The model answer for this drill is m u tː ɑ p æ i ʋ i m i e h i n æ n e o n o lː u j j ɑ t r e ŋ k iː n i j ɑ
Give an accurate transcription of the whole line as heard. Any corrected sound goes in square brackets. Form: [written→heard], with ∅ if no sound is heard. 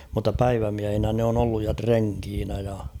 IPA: m u tː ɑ p æ i ʋ [i→æ] m i [e→æ] h i n æ n e o n o lː u j j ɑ t r e ŋ k iː n [i→æ] j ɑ